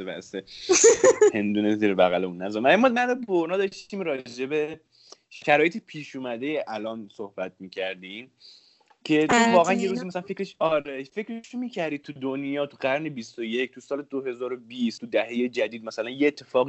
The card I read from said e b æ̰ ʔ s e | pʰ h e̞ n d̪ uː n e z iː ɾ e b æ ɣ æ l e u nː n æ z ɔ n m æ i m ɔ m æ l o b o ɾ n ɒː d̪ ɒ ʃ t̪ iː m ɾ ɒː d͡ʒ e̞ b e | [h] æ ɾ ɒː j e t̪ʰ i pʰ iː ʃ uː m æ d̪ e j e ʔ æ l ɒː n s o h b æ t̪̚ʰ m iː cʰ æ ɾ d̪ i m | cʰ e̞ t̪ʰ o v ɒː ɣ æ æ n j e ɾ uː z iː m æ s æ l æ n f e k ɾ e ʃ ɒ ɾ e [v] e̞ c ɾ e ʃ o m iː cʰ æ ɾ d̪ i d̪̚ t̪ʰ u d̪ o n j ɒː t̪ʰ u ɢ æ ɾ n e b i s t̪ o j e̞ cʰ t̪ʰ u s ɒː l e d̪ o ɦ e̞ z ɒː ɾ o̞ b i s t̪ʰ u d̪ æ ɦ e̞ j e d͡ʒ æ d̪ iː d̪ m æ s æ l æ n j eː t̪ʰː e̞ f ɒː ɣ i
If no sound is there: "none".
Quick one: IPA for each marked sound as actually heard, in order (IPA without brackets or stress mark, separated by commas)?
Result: ʃ, f